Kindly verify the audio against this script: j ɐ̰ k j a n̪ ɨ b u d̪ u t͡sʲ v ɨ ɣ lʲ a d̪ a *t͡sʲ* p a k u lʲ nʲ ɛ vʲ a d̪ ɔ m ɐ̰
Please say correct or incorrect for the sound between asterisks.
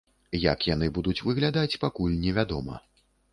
correct